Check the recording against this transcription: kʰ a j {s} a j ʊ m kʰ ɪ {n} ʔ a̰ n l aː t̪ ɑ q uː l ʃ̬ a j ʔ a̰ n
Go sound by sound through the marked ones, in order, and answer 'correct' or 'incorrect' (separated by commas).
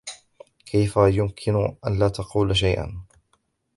incorrect, correct